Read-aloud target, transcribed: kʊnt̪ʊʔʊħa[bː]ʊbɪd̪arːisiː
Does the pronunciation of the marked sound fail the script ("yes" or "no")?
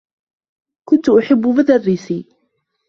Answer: no